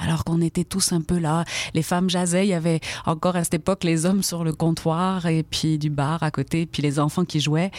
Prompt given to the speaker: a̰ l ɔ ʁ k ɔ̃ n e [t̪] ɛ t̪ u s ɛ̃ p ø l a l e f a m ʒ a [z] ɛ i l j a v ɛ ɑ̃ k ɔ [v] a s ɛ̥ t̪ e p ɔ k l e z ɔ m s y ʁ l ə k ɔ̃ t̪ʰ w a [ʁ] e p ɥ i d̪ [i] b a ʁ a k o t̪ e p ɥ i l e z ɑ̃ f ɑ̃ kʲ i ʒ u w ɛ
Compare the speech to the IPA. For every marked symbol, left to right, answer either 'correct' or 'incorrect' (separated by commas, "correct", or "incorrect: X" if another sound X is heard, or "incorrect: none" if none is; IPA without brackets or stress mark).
correct, correct, incorrect: ʁ, correct, incorrect: y